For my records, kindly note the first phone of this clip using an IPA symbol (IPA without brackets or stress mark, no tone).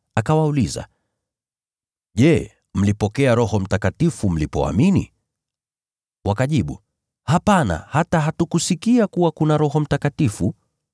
a